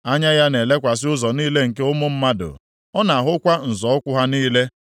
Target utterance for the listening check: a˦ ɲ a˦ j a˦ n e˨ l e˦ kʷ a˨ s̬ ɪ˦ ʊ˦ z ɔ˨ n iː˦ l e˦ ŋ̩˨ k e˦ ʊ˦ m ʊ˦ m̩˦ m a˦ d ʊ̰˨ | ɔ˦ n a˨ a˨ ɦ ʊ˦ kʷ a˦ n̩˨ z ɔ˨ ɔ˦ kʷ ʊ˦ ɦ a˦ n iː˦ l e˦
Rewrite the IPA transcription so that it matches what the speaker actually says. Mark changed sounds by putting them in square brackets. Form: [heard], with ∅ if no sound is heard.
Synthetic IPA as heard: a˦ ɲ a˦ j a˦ n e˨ l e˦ kʷ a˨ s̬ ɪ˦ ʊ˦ z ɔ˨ n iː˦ l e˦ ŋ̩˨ k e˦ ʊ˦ m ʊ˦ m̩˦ m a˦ d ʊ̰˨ | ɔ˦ n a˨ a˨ ɦ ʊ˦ kʷ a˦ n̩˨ z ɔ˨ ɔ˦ kʷ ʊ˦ ɦ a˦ n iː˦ l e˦

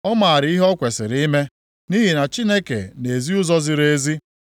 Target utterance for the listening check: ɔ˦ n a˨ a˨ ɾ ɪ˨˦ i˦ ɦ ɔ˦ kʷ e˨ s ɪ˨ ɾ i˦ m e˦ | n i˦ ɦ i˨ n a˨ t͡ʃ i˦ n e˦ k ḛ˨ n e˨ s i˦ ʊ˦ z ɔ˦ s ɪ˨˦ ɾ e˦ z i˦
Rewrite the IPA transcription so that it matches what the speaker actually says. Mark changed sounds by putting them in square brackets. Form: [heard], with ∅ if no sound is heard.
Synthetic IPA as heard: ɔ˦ [m] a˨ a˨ ɾ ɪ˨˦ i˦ ɦ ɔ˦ kʷ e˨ s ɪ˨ ɾ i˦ m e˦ | n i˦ ɦ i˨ n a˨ t͡ʃ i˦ n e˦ k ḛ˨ n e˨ [z] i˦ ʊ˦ z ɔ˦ [z] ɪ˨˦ ɾ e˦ z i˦

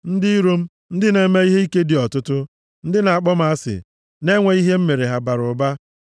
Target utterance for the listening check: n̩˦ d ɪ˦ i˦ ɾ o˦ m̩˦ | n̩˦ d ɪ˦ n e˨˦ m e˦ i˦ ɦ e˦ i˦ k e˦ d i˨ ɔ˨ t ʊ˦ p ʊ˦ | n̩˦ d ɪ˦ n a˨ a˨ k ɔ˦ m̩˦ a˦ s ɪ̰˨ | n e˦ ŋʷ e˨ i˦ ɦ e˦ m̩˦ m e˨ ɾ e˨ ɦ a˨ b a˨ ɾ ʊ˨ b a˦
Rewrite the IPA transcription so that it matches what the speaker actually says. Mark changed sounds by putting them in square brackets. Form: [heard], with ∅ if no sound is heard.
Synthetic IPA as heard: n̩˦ d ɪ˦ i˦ ɾ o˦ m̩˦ | n̩˦ d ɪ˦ n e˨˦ m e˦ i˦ ɦ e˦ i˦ k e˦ d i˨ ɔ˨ t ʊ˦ [t] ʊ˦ | n̩˦ d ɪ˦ n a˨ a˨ [k͡p] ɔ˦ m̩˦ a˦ s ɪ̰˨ | n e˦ ŋʷ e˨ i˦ ɦ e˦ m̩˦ m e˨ ɾ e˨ ɦ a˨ b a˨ ɾ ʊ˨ b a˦

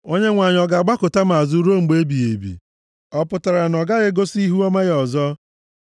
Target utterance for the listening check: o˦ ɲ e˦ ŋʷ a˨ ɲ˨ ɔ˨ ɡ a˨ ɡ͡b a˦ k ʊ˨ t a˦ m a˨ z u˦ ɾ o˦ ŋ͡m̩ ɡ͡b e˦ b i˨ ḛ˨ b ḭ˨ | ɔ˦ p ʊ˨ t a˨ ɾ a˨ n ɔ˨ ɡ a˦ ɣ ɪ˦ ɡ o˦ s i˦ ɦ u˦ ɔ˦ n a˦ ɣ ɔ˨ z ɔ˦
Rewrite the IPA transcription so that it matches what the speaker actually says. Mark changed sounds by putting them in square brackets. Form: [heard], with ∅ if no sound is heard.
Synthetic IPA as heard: o˦ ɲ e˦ ŋʷ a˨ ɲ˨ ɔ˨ ɡ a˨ ɡ͡b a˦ k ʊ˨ t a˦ m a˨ z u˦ ɾ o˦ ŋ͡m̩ ɡ͡b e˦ b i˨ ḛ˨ b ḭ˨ | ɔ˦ p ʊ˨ t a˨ ɾ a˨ n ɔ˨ ɡ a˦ ɣ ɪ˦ ɡ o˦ s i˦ ɦ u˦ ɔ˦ [m] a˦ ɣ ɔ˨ z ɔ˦

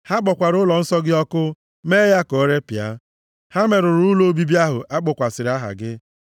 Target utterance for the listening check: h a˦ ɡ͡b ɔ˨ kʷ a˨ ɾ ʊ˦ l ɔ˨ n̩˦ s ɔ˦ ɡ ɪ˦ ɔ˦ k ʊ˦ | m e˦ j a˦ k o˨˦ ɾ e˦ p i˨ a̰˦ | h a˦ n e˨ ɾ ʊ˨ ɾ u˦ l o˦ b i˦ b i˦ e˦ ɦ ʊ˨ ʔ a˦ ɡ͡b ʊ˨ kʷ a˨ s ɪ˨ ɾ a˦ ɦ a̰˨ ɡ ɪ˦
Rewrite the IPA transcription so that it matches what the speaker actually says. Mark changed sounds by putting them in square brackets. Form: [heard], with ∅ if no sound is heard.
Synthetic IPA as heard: h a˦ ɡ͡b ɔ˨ kʷ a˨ ɾ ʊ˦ l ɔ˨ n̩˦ s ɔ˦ ɡ ɪ˦ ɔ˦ k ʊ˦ | m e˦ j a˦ k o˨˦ ɾ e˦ p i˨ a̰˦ | h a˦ [m] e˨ ɾ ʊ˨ ɾ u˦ l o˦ b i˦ b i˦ [a˦] ɦ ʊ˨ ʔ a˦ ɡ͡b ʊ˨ kʷ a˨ s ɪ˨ ɾ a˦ ɦ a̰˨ ɡ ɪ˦

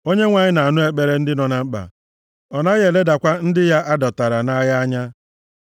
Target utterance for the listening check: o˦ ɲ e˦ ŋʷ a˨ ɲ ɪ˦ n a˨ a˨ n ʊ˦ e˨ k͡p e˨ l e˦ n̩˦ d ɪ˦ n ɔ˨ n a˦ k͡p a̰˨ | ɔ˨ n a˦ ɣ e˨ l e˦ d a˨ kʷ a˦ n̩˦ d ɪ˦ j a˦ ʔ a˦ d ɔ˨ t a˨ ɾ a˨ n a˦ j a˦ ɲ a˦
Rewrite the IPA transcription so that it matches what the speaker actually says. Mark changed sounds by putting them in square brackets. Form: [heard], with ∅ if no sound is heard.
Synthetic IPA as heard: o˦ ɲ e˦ ŋʷ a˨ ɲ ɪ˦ n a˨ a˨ n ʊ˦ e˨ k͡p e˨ [ɾ] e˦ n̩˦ d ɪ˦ n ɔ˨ n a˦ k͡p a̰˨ | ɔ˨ n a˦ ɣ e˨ l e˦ d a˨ kʷ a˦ n̩˦ d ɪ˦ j a˦ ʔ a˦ d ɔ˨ t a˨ ɾ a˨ n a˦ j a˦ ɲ a˦

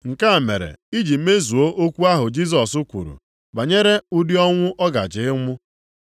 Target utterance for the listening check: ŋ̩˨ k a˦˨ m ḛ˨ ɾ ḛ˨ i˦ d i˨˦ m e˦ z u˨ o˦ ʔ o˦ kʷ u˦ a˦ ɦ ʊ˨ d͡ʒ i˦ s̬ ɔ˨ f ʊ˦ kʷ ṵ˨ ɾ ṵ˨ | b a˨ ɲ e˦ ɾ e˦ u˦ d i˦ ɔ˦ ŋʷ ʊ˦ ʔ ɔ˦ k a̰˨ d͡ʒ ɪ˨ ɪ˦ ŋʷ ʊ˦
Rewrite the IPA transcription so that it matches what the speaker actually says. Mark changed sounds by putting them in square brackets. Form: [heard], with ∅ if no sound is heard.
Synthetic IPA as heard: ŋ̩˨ k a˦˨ m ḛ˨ ɾ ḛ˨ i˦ [d͡ʒ] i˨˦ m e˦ z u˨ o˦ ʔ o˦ kʷ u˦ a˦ ɦ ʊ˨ d͡ʒ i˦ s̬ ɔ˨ [s] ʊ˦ kʷ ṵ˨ ɾ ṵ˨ | b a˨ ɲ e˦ ɾ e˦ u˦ d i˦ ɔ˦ ŋʷ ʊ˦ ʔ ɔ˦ [ɡ] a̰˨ d͡ʒ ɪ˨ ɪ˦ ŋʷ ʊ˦

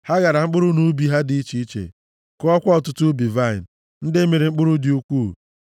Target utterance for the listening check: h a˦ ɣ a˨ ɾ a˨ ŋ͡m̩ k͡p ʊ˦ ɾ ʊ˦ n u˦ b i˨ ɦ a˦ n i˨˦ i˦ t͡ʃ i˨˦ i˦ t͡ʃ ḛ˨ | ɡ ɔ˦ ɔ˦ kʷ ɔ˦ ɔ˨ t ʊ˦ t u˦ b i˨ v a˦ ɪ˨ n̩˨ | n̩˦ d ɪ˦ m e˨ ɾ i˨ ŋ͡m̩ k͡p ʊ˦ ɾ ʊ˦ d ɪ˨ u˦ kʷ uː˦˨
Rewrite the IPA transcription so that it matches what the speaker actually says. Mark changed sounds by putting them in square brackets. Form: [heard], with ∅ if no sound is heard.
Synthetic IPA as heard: h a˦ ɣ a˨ ɾ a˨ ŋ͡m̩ k͡p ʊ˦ ɾ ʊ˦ n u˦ b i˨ ɦ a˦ [d] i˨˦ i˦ t͡ʃ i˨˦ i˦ t͡ʃ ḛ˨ | [k] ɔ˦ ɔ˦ kʷ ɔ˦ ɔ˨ t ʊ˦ t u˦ b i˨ v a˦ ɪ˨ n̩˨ | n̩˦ d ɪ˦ m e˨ ɾ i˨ ŋ͡m̩ k͡p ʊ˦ ɾ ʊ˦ d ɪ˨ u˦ kʷ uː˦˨

